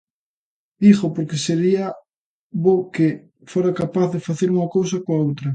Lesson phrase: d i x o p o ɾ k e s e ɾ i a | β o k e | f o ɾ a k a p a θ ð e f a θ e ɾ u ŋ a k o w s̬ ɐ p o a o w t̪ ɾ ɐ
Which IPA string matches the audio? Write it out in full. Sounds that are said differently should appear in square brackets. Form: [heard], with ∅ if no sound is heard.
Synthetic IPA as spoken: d i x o p o ɾ k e s e ɾ i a | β o k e | f o ɾ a k a p a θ ð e f a θ e ɾ u ŋ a k o w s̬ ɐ [k] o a o w t̪ ɾ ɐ